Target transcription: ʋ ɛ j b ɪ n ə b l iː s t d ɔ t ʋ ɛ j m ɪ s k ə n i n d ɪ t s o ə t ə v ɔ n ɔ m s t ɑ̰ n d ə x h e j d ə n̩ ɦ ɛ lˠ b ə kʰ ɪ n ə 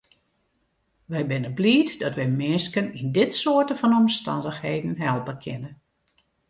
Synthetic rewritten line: ʋ ɛ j b ɪ n ə b l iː t d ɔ t ʋ ɛ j m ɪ s k ə n i n d ɪ t s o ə t ə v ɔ n ɔ m s t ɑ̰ n d ə x h e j d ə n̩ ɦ ɛ lˠ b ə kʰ ɪ n ə